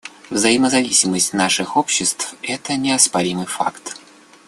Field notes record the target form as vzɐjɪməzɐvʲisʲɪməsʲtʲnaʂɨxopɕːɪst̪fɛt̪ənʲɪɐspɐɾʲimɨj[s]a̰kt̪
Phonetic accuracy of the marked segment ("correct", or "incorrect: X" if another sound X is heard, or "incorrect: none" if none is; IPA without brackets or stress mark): incorrect: f